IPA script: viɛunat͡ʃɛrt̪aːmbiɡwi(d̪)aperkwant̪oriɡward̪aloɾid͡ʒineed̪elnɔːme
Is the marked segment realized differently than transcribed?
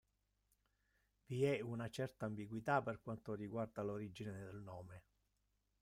yes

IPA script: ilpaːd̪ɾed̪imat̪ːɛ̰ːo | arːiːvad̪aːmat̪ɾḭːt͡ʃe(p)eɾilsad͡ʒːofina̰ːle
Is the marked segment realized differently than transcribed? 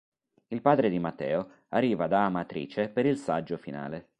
no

